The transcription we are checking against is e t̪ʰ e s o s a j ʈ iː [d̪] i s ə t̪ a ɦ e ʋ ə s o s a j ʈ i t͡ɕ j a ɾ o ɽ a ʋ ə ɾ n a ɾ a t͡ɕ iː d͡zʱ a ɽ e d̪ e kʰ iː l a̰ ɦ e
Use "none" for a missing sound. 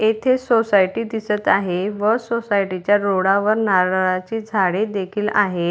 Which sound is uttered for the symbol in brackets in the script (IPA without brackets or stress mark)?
d̪